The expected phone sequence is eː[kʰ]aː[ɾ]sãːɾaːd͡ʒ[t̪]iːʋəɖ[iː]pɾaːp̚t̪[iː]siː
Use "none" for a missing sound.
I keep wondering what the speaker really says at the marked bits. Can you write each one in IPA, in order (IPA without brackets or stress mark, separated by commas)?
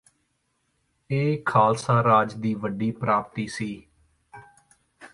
kʰ, l, d̪, iː, iː